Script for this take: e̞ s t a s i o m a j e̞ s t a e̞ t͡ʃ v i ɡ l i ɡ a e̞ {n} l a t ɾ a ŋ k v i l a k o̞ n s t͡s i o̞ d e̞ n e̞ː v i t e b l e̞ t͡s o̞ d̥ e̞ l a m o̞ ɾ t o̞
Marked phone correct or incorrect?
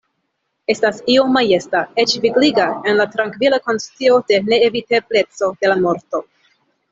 correct